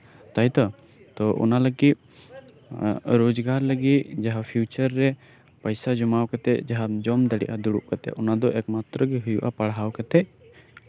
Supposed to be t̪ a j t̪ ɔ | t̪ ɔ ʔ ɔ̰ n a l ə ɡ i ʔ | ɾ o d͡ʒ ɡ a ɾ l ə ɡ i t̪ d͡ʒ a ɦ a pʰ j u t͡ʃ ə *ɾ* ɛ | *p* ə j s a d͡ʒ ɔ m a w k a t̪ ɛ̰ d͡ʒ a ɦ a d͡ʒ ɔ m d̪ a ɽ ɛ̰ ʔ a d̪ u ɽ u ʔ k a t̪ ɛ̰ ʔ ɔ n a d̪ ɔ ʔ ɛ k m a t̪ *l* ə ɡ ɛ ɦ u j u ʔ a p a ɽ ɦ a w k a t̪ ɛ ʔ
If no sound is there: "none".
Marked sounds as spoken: ɾː, p, ɾ

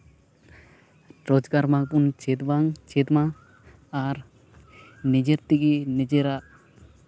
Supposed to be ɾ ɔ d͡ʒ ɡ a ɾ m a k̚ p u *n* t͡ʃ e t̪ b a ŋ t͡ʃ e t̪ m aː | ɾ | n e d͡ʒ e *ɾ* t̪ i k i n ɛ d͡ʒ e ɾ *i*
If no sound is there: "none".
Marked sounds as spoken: n, ɾ, a

